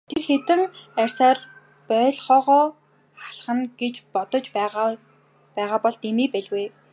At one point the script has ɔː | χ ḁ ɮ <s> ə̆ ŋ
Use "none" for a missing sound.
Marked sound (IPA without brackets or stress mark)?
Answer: χ